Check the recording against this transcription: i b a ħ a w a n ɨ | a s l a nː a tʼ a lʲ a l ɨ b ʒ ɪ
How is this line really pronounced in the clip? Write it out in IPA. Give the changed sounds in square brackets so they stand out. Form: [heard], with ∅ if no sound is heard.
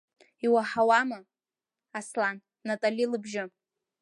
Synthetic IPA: i [w] a ħ a w a [m] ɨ | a s l a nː a tʼ a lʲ [i] l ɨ b ʒ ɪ